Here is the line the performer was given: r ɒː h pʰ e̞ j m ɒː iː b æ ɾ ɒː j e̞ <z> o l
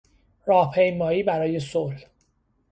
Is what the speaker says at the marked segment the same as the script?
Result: no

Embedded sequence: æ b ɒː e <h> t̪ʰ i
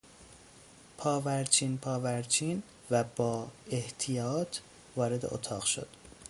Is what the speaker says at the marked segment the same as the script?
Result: yes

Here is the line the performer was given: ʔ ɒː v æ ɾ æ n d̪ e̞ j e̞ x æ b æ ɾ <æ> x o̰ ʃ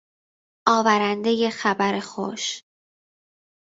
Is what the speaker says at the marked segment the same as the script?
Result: no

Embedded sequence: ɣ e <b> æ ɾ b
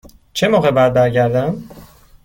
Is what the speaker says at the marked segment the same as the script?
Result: yes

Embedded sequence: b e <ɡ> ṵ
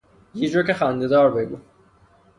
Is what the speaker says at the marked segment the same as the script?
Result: yes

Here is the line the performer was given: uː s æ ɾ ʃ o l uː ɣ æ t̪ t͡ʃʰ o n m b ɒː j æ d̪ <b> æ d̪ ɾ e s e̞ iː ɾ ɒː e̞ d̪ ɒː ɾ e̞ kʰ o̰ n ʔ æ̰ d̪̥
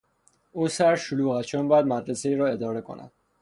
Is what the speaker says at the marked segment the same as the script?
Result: no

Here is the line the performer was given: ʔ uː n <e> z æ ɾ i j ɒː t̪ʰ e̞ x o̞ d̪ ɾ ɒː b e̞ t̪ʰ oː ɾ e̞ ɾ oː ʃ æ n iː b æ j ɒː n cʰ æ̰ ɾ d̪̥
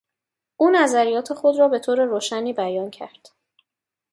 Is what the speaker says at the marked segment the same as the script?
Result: no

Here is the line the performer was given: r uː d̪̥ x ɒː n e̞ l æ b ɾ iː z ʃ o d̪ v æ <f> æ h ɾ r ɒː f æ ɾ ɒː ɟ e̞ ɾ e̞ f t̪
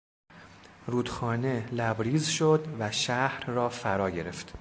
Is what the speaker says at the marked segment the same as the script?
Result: no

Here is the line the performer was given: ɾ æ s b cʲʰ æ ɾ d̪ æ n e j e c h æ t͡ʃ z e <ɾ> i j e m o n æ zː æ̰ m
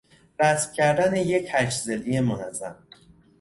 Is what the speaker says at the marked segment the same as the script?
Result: no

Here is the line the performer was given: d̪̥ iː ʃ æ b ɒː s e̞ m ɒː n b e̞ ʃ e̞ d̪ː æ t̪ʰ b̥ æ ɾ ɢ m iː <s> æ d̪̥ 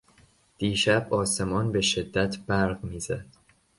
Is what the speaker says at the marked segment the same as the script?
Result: no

